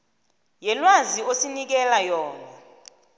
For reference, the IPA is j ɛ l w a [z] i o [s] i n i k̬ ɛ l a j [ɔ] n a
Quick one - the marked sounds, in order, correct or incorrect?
correct, correct, incorrect: ɔː

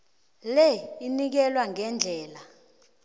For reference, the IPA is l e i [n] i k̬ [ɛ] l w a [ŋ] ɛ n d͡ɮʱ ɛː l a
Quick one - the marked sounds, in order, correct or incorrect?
correct, correct, correct

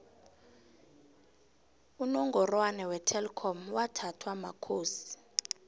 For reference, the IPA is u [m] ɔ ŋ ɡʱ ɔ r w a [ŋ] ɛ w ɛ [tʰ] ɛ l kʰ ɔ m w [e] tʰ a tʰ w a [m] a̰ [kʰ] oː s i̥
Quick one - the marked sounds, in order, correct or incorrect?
incorrect: n, incorrect: n, correct, incorrect: a, correct, correct

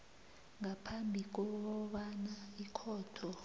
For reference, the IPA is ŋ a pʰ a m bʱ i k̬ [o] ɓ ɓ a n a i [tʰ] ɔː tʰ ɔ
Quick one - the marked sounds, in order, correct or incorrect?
incorrect: ɔ, incorrect: kʰ

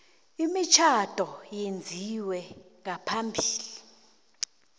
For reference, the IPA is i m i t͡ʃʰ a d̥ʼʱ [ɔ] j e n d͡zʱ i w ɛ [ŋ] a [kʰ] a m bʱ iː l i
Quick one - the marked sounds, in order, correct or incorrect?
correct, correct, incorrect: pʰ

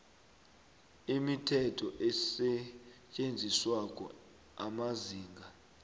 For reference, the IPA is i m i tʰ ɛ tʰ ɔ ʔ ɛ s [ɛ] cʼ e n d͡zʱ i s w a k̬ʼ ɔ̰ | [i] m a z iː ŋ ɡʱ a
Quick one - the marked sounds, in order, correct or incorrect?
correct, incorrect: a

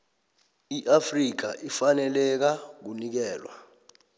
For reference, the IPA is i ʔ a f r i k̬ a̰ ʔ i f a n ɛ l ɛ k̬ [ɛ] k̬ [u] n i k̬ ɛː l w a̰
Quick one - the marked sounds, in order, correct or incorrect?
incorrect: a, correct

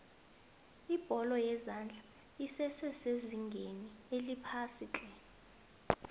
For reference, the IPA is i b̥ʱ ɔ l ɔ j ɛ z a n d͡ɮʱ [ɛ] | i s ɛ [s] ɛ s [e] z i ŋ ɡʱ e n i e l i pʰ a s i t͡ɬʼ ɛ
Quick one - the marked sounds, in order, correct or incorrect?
incorrect: a, correct, correct

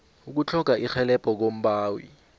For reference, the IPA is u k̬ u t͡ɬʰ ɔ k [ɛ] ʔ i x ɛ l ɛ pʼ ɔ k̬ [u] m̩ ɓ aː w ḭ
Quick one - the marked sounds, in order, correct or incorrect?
incorrect: a, incorrect: o

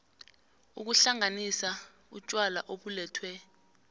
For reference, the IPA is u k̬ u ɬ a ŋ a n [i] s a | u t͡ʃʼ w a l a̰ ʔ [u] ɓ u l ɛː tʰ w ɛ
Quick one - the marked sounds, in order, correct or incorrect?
correct, incorrect: o

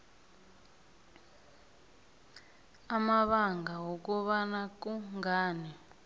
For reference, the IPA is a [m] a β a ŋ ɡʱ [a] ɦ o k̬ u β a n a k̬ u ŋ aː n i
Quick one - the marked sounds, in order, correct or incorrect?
correct, correct

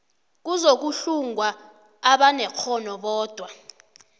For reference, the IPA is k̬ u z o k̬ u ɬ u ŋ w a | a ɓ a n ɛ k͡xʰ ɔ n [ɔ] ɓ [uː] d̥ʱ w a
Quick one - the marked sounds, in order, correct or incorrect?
correct, incorrect: ɔː

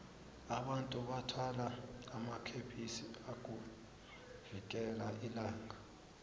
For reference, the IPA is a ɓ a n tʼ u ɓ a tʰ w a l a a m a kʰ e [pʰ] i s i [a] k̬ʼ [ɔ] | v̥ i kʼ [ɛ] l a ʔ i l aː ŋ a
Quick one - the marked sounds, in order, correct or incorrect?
correct, correct, incorrect: u, correct

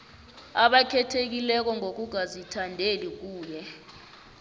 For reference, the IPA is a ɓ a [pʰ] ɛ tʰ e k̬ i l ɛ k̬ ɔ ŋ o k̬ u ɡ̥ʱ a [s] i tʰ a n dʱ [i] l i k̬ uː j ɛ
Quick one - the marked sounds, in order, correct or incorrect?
incorrect: kʰ, incorrect: z, incorrect: e

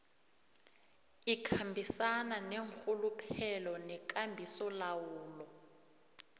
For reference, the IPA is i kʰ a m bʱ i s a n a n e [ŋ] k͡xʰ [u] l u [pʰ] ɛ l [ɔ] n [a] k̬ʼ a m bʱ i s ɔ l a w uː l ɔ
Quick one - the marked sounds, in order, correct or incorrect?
correct, correct, correct, correct, incorrect: ɛ

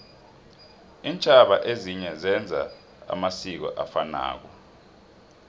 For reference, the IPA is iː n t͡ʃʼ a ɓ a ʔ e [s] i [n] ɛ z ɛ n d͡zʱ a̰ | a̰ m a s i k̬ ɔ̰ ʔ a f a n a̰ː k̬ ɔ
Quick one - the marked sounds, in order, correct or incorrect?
incorrect: z, incorrect: ɲ

